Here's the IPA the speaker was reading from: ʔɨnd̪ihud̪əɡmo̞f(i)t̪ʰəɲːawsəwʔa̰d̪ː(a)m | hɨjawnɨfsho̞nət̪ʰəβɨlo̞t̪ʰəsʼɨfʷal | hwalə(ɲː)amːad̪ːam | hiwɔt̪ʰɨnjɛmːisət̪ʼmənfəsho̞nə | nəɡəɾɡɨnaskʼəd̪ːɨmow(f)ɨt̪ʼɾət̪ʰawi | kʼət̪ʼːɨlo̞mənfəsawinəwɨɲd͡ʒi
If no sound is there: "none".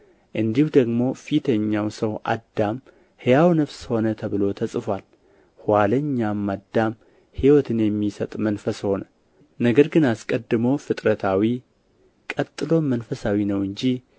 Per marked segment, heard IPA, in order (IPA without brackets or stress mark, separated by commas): i, a, ɲː, f